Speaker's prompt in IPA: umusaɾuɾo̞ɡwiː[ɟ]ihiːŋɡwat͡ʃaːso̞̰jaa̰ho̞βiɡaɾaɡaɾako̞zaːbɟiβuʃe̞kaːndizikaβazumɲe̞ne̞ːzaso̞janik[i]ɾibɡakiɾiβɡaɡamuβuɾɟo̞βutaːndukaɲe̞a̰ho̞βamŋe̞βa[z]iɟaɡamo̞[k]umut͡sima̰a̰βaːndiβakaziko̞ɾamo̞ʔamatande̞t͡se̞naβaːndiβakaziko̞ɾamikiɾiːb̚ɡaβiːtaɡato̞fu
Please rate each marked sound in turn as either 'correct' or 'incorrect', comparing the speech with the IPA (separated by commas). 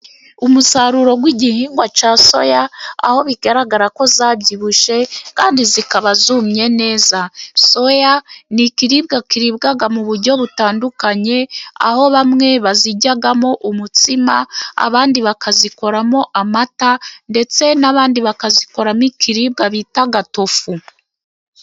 correct, correct, correct, incorrect